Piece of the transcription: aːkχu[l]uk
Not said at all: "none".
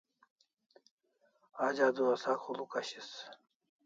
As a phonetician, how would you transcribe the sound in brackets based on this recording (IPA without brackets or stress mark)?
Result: l